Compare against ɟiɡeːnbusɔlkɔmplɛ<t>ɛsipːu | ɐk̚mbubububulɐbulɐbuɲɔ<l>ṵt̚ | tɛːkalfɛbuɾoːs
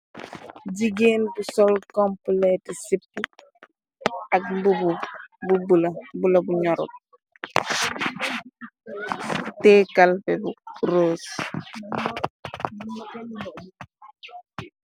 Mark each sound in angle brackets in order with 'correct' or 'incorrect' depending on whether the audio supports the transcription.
correct, incorrect

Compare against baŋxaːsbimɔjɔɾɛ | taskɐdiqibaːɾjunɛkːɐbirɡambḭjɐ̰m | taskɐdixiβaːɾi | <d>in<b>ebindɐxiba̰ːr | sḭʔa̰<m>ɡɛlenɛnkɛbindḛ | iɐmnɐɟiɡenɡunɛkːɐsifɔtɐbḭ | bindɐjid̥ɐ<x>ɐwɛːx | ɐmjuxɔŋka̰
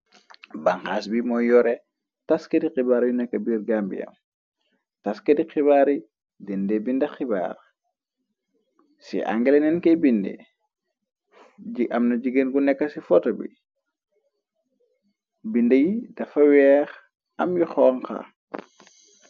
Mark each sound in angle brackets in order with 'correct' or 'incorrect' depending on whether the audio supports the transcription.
correct, incorrect, incorrect, incorrect

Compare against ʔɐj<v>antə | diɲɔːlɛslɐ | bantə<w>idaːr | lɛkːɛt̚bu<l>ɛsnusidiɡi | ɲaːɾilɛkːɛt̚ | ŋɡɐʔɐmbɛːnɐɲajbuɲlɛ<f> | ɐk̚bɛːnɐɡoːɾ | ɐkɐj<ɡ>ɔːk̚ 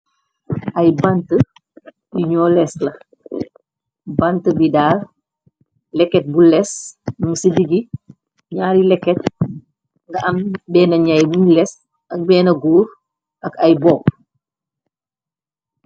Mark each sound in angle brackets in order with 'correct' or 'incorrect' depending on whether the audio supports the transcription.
incorrect, incorrect, correct, incorrect, incorrect

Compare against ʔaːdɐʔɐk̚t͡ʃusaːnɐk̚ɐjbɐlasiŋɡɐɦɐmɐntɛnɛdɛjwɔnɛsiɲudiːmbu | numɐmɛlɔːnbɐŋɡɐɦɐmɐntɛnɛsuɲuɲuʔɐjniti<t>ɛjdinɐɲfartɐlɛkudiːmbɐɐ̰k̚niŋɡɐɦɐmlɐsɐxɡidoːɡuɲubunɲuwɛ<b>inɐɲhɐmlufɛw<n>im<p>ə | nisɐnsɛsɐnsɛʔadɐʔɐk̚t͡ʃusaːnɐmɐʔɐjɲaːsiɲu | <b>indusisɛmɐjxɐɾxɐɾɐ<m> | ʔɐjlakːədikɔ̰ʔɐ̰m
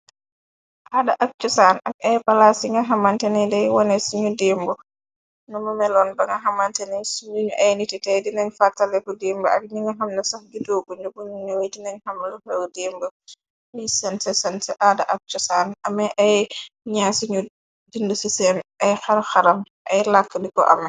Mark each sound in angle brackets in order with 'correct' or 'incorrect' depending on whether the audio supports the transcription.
correct, incorrect, incorrect, incorrect, incorrect, correct

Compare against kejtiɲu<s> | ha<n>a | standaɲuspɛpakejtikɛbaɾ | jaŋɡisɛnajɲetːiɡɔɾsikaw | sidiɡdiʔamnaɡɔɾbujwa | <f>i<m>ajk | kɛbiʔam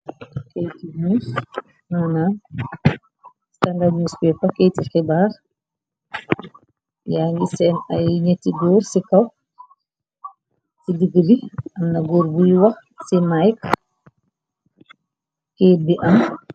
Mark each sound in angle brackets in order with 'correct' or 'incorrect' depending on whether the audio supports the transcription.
correct, correct, incorrect, correct

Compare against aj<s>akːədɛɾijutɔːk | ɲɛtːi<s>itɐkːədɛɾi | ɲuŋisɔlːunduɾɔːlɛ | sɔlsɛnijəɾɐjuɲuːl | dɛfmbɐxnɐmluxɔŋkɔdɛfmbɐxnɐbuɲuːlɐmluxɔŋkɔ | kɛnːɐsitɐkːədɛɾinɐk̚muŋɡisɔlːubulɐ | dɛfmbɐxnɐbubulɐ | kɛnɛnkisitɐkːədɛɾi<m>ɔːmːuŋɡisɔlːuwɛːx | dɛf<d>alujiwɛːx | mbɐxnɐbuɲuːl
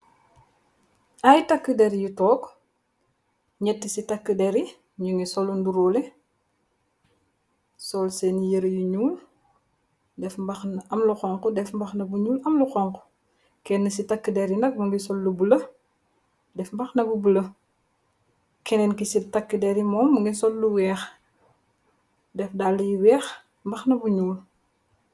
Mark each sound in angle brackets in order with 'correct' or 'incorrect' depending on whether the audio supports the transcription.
incorrect, correct, correct, correct

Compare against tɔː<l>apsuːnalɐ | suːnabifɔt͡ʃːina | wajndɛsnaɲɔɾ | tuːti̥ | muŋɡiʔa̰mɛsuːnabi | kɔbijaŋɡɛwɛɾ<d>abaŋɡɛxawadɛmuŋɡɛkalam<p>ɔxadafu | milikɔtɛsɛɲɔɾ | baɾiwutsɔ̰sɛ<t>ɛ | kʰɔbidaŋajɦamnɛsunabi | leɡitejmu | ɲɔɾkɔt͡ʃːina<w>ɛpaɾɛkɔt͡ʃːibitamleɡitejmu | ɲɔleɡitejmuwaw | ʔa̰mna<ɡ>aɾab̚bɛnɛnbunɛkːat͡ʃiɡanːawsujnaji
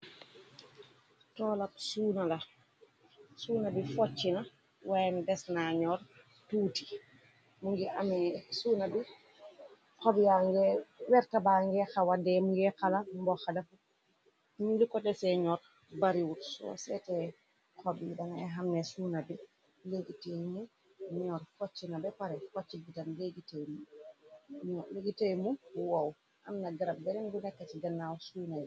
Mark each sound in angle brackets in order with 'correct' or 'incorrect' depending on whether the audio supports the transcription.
correct, incorrect, incorrect, correct, incorrect, correct

